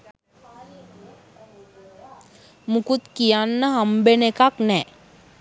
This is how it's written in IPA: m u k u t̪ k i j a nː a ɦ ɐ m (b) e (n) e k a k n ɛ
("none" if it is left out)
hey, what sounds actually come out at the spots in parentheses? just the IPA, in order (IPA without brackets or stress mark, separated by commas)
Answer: b, n